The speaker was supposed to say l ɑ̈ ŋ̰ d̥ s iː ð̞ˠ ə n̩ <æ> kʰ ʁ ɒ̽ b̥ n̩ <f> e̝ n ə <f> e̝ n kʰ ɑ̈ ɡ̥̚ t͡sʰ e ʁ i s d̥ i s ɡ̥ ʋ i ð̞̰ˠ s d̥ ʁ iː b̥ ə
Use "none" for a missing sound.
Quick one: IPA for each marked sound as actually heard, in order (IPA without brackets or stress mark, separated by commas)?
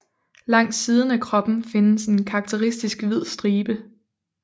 æ, f, s